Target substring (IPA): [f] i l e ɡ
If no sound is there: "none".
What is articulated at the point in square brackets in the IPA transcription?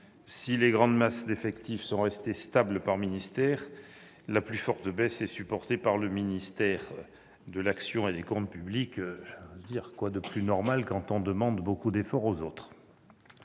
s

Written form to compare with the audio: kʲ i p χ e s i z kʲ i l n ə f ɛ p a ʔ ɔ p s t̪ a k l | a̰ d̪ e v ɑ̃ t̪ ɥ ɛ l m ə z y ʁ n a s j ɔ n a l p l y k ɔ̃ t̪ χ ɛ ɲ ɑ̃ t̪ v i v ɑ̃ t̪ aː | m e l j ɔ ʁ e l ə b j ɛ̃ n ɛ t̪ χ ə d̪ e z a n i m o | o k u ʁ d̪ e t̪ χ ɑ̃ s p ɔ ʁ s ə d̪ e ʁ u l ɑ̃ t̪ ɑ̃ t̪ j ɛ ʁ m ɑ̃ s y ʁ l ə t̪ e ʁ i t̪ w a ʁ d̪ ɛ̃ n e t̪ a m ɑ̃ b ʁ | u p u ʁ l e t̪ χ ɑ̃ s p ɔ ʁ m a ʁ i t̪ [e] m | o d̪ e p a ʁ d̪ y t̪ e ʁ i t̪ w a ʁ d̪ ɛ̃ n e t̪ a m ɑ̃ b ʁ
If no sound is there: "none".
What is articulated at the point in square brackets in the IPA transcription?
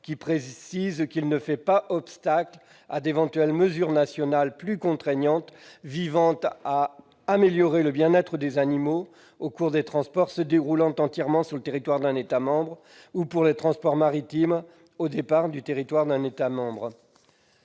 i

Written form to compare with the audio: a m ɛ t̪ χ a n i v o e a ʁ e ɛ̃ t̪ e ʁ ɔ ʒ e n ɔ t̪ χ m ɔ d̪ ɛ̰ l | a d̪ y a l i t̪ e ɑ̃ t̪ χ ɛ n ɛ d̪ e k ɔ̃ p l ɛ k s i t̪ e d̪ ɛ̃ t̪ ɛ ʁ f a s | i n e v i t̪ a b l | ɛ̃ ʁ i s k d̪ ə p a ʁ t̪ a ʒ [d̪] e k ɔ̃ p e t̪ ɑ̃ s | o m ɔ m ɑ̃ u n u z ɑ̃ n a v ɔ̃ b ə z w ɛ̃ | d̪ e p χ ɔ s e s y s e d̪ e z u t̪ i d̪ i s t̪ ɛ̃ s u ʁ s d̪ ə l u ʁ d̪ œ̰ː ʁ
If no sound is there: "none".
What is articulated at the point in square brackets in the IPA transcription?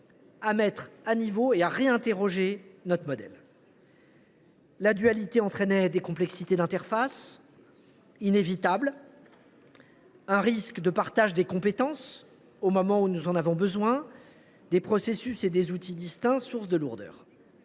d̪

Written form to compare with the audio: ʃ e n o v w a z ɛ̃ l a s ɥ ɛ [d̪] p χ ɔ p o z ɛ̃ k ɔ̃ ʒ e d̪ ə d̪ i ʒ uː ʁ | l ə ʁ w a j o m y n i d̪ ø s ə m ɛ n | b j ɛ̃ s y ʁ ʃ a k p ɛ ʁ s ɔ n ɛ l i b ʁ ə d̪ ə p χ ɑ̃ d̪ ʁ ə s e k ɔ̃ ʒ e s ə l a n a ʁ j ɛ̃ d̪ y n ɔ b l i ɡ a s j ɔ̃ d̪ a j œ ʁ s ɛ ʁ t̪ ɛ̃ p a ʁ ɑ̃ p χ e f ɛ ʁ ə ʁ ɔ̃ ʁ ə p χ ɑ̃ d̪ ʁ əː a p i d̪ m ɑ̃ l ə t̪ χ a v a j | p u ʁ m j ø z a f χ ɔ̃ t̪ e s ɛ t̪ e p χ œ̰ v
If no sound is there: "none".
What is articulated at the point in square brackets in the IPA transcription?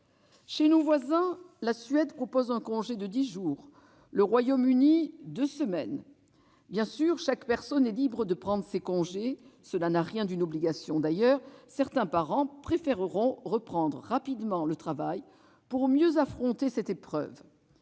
d̪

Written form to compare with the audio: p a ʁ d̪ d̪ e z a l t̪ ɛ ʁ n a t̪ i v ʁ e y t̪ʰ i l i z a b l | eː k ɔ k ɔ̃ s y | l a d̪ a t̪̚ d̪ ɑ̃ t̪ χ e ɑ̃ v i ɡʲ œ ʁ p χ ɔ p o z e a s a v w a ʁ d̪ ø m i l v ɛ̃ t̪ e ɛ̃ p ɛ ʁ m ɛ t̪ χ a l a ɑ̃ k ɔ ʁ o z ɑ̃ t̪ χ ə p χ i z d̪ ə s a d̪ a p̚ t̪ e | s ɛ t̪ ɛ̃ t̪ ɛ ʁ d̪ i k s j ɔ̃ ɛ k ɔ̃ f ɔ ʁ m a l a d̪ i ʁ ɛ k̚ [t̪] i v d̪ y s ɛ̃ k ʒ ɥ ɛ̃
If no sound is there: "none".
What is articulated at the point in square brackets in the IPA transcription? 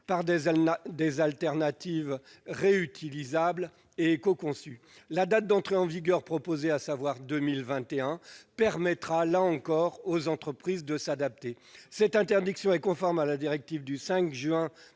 t̪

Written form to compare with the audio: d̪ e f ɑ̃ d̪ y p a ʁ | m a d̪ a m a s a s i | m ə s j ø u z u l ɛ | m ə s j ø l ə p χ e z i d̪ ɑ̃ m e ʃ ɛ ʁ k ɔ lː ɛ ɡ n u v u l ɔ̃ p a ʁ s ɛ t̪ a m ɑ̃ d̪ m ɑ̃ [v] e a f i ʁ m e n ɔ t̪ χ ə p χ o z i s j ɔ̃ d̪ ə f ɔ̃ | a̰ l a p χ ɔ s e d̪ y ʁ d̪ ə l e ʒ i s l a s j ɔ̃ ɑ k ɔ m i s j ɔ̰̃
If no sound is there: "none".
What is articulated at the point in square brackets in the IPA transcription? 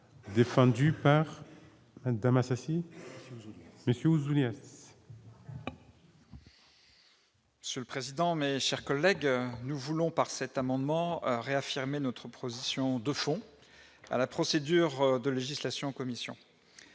ʁ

